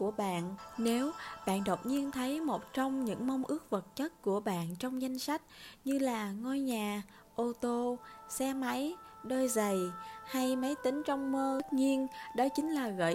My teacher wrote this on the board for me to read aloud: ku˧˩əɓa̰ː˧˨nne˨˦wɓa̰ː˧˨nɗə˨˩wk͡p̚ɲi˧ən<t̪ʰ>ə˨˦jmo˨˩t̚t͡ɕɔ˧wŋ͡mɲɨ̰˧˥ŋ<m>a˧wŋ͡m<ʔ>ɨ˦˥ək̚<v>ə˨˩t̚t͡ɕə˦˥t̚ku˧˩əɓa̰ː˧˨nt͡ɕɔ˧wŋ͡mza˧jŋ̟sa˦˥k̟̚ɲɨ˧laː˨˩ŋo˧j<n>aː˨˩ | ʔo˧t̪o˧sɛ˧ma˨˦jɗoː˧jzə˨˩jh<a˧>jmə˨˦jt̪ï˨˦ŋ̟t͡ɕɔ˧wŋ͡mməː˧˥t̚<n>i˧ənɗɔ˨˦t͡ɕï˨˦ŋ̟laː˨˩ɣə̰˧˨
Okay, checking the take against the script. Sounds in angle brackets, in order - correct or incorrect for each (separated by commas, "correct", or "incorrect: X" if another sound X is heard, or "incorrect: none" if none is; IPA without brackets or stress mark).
correct, correct, correct, correct, incorrect: ɲ, correct, incorrect: ɲ